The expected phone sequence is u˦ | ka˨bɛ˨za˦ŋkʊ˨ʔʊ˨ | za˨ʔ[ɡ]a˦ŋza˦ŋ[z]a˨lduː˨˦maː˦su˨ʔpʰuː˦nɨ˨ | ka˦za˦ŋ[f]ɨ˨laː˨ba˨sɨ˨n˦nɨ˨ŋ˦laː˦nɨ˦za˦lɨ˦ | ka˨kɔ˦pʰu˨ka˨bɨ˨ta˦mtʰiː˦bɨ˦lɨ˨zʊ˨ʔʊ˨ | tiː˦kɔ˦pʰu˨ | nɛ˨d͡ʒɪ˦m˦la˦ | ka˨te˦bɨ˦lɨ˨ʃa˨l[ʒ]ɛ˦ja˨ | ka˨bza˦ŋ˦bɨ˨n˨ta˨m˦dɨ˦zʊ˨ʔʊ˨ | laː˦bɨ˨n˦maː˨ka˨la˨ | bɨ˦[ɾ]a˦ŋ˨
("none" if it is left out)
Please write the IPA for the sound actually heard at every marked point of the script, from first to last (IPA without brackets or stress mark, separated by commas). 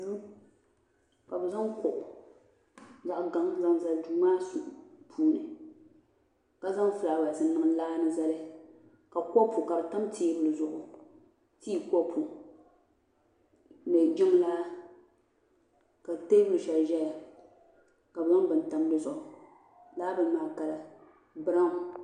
ɡ, z, f, ʒ, ɾ